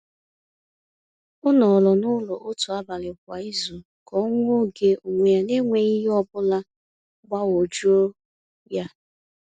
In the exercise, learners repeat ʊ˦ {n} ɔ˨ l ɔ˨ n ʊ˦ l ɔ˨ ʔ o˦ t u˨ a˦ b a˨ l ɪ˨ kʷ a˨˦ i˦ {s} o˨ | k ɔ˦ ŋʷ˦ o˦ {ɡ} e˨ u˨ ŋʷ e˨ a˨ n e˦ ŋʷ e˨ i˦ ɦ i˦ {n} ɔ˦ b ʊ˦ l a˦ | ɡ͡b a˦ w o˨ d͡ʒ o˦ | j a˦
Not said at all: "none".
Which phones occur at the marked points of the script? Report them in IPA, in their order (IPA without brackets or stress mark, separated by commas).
n, z, ɡ, none